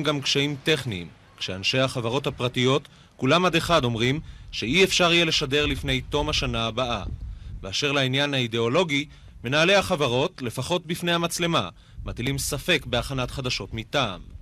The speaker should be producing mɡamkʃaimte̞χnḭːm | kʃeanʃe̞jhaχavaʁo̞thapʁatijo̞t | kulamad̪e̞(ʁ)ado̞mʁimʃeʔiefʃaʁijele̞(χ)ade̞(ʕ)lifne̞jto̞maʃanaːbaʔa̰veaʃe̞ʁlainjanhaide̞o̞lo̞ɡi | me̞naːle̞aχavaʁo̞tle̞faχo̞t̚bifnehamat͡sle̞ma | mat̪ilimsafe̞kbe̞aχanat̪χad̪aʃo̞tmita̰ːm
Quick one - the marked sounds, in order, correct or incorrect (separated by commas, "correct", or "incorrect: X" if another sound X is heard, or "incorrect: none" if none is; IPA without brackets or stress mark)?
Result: incorrect: χ, incorrect: ʃ, incorrect: ʁ